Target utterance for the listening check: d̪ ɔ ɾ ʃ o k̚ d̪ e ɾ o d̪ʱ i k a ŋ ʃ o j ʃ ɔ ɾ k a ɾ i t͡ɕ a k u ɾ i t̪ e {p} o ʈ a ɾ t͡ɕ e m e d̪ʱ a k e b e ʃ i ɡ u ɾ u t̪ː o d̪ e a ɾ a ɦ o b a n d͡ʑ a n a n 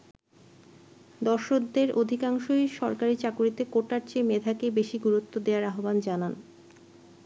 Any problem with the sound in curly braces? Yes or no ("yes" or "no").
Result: yes